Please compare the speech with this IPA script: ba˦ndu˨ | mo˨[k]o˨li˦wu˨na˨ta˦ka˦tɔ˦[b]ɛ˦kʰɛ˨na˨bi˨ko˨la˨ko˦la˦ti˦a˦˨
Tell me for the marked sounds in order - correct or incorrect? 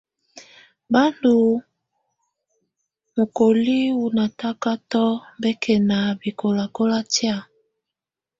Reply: correct, correct

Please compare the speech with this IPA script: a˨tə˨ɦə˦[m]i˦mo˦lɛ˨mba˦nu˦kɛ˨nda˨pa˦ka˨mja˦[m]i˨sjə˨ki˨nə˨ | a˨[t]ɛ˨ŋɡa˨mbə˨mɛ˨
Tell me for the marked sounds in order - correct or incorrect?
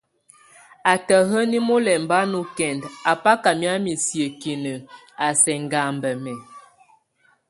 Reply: incorrect: n, correct, incorrect: s

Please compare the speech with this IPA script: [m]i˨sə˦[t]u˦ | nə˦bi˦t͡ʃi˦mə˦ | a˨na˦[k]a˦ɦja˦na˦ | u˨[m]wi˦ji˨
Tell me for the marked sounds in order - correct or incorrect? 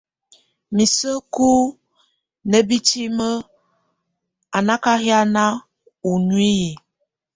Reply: correct, incorrect: k, correct, incorrect: n

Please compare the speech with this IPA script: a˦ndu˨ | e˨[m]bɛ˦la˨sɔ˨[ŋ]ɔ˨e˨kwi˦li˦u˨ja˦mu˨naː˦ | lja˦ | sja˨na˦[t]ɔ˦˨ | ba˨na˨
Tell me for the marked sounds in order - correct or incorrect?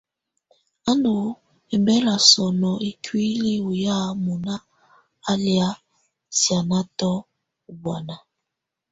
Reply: correct, incorrect: n, correct

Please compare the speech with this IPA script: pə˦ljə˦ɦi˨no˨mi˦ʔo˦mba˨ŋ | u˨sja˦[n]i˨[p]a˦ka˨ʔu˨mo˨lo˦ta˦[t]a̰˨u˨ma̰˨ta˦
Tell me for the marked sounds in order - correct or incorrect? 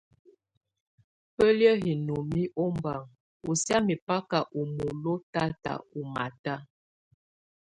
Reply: incorrect: m, correct, correct

